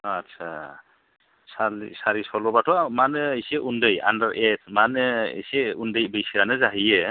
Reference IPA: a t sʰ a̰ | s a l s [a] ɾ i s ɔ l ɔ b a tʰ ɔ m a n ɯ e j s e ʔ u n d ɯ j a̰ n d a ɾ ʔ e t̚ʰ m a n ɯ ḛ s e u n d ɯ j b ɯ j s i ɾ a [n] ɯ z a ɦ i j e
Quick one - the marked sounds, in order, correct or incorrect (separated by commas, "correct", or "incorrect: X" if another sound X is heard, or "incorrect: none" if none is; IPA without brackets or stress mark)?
correct, correct